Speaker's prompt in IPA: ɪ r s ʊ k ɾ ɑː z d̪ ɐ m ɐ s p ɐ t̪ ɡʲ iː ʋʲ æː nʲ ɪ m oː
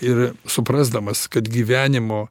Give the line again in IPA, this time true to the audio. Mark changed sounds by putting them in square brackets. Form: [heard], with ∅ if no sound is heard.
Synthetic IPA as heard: ɪ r s ʊ [p] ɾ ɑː z d̪ ɐ m ɐ s [k] ɐ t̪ ɡʲ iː ʋʲ æː nʲ ɪ m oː